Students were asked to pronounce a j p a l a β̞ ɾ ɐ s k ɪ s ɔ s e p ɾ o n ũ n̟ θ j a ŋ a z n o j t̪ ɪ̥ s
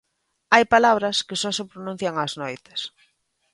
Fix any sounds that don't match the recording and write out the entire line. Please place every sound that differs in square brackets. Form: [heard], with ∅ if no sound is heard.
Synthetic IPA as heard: a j p a l a β̞ ɾ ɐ s k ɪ s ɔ s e p ɾ o n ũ n̟ θ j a ŋ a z n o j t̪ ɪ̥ s